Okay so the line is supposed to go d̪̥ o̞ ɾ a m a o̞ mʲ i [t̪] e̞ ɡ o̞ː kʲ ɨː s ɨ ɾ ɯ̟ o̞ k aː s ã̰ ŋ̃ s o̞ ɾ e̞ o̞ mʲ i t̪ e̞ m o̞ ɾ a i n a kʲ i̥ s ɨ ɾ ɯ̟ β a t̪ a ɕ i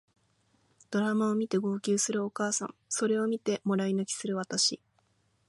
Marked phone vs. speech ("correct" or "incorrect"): correct